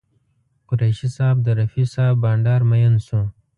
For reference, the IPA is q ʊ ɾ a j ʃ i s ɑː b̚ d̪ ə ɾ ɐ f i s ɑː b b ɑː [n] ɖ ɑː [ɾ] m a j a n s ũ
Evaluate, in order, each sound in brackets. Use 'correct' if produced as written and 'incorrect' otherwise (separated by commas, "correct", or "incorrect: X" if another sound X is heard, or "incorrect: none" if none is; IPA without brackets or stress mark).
incorrect: ɳ, correct